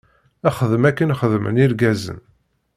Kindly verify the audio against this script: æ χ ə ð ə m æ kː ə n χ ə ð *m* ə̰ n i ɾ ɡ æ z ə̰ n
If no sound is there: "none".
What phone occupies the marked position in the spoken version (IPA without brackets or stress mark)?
m